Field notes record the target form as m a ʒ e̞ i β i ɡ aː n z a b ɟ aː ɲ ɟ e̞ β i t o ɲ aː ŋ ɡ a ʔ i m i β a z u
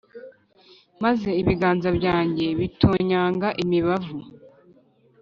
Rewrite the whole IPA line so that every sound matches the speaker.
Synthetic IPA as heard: m a z e̞ i β i ɡ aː n z a b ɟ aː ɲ ɟ e̞ β i t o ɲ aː ŋ ɡ a ʔ i m i β a v u

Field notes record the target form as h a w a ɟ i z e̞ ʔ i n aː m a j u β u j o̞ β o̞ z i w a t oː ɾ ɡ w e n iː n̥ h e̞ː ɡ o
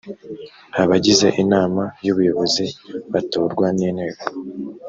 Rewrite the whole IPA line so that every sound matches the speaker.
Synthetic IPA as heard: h a β a ɟ i z e̞ ʔ i n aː m a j u β u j o̞ β o̞ z i β a t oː ɾ ɡ w a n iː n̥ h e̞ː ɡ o

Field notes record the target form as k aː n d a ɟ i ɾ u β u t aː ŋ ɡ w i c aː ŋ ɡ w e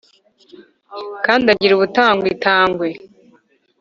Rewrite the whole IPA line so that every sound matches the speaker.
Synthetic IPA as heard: k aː n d a ɟ i ɾ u β u t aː ŋ ɡ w i t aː ŋ ɡ w e

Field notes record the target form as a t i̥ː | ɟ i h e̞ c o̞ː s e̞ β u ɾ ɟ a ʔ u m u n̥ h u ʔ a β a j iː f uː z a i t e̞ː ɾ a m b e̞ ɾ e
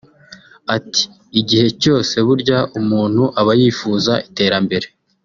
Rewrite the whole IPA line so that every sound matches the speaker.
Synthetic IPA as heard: a t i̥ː | ɟ i h e̞ c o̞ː s e̞ β u ɾ ɟ a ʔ u m uː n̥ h u ʔ a β a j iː f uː z a i t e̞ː ɾ a m b e̞ ɾ e

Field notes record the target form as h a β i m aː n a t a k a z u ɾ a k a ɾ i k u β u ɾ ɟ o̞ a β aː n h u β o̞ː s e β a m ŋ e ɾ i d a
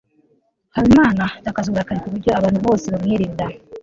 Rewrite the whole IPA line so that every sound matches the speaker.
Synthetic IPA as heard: h a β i m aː n a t a k a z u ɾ a k a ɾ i k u β u ɾ ɟ o̞ a β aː n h u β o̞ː s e β a m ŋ e ɾ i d a

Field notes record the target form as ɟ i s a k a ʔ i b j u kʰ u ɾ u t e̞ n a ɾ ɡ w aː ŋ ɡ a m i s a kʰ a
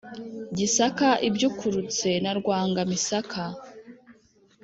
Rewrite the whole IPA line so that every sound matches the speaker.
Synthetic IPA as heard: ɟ i s a k a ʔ i b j u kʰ u ɾ u t͡s e̞ n a ɾ ɡ w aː ŋ ɡ a m i s a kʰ a

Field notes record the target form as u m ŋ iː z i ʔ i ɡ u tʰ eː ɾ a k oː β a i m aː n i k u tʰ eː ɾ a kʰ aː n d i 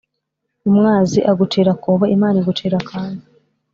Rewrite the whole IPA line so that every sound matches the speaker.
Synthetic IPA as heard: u m ŋ aː z i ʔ a ɡ u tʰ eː ɾ a k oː β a i m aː n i ɡ u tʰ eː ɾ a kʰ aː n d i

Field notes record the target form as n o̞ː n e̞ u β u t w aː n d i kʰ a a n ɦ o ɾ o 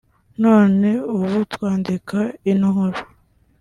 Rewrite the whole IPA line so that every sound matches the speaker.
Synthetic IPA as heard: n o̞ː n e̞ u β u t w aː n d i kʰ a i n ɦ o ɾ o

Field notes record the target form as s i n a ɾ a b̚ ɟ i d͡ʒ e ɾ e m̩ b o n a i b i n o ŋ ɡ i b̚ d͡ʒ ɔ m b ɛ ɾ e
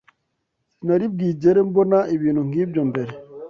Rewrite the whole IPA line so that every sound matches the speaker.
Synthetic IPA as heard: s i n a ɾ i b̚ ɡ i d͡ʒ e ɾ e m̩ b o n a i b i n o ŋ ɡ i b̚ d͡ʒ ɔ m b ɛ ɾ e

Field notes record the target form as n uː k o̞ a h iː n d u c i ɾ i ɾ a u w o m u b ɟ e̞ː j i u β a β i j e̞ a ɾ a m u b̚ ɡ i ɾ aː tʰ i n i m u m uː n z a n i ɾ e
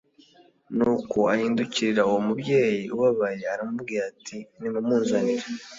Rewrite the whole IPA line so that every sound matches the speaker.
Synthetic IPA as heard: n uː k o̞ a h iː n d u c i ɾ i ɾ a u w o m u b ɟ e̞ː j i u β a β a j e̞ a ɾ a m u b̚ ɡ i ɾ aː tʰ i n i m u m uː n z a n i ɾ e

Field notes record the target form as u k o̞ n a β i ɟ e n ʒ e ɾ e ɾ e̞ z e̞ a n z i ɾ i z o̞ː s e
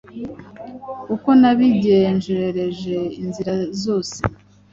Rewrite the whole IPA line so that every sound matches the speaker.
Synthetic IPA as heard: u k o̞ n a β i ɟ e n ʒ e ɾ e ɾ e̞ ʒ e̞ i n z i ɾ a z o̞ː s e

